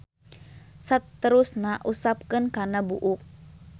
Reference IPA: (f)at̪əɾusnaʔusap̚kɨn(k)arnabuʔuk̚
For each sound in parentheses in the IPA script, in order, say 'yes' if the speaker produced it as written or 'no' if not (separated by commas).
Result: no, yes